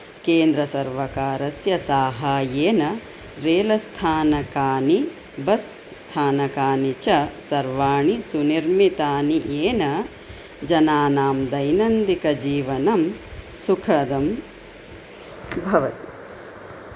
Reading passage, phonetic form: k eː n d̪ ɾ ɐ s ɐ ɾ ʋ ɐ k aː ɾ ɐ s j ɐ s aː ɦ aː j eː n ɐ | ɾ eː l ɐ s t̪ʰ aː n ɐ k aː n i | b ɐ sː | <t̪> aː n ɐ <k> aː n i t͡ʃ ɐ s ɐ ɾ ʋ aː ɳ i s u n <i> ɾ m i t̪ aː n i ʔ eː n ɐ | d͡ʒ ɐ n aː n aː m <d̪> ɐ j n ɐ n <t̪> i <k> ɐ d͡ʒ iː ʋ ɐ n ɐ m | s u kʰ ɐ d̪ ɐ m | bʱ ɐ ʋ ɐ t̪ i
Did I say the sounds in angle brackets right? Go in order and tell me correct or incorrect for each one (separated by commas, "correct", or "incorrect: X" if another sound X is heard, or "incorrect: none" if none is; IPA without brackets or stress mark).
incorrect: t̪ʰ, correct, correct, correct, incorrect: d̪, correct